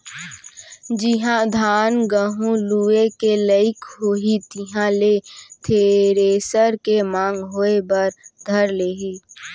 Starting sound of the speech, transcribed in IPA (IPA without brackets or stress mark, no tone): d͡ʒ